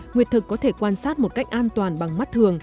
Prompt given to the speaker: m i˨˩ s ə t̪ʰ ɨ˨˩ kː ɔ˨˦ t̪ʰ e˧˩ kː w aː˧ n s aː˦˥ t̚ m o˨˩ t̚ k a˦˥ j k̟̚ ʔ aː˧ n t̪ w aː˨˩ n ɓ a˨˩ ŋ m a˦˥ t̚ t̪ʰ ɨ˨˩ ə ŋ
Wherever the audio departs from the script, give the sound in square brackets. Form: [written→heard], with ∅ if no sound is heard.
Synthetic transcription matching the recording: [m→ŋ] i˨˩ [s→∅] ə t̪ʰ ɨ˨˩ kː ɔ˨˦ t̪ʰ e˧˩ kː w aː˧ n s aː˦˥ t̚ m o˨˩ t̚ k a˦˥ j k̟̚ ʔ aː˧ n t̪ w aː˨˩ n ɓ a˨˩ ŋ m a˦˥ t̚ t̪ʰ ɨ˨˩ ə ŋ

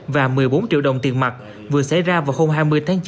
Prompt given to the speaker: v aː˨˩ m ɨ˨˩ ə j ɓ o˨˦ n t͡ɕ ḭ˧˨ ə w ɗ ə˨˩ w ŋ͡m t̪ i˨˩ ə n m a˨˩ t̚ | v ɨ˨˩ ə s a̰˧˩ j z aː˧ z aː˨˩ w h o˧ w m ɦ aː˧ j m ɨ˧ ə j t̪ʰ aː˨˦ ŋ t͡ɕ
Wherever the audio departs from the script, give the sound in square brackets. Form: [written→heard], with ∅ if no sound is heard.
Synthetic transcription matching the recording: v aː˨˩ m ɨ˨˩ ə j ɓ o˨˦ n t͡ɕ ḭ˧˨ ə w ɗ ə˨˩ w ŋ͡m t̪ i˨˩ ə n m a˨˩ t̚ | v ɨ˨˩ ə s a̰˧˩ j z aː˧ [z→v] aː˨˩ w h o˧ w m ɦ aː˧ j m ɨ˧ ə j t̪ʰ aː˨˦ ŋ t͡ɕ

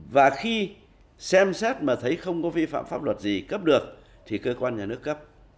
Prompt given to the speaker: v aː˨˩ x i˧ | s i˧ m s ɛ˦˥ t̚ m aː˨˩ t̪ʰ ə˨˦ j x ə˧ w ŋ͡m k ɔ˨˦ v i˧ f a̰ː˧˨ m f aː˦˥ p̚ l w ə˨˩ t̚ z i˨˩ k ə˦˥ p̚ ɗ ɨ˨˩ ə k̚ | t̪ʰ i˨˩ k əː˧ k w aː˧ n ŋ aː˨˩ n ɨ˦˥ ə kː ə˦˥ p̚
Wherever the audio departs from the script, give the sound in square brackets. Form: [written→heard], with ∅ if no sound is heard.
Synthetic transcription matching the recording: v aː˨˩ x i˧ | s [i˧→ɛ˧] m s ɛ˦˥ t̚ m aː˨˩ t̪ʰ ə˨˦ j x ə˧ w ŋ͡m k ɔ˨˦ v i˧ f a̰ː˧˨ m f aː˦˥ p̚ l w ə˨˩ t̚ z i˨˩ k ə˦˥ p̚ ɗ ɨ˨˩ ə k̚ | t̪ʰ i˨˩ k əː˧ k w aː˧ n [ŋ→ɲ] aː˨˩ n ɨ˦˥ ə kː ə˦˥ p̚

